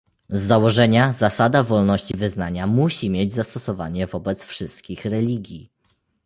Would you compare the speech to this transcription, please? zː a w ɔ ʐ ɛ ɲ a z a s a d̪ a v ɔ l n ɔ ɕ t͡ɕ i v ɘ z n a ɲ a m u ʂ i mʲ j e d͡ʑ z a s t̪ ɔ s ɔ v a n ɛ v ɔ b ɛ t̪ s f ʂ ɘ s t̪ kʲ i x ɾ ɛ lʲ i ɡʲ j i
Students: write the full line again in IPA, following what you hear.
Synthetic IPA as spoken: zː a w ɔ ʐ ɛ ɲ a z a s a d̪ a v ɔ l n ɔ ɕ t͡ɕ i v ɘ z n a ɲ a m u ɕ i mʲ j e d͡ʑ z a s t̪ ɔ s ɔ v a ɲ ɛ v ɔ b ɛ t̪ s f ʂ ɘ s t̪ kʲ i x ɾ ɛ lʲ i ɡʲ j i